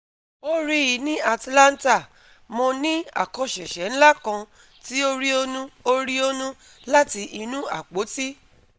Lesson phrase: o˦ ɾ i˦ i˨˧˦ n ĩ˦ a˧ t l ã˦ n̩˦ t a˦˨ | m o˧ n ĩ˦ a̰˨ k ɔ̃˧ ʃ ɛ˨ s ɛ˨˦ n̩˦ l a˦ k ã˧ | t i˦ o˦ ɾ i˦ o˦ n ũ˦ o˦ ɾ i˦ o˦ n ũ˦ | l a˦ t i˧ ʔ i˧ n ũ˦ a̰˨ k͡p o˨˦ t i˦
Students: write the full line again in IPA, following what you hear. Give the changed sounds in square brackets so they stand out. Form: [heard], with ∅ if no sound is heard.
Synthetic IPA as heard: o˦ ɾ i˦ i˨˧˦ n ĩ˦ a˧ t l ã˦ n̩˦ t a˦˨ | m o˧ n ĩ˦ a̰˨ k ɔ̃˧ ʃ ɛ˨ [ʃ] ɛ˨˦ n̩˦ l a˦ k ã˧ | t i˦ o˦ ɾ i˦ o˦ n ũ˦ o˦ ɾ i˦ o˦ n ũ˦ | l a˦ t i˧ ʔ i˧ n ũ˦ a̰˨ k͡p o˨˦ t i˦